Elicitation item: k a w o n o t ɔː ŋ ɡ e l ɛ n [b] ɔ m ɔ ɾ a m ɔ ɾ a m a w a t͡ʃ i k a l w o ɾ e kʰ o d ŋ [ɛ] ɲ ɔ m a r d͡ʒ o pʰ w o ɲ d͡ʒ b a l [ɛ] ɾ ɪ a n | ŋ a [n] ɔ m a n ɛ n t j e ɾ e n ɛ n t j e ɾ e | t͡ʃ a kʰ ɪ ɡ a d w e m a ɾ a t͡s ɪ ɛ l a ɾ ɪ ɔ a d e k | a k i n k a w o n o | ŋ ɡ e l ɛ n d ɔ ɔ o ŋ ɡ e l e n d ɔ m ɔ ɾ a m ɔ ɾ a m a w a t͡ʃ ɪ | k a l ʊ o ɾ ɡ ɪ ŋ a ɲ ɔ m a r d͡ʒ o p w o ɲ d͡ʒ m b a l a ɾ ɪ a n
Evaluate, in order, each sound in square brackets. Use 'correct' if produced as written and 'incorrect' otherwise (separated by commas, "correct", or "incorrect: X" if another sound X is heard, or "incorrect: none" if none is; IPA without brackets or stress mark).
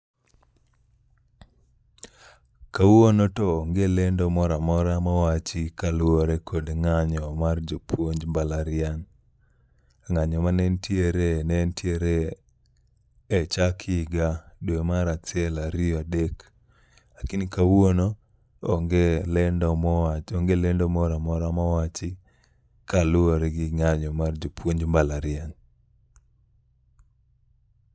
incorrect: d, incorrect: a, incorrect: a, incorrect: ɲ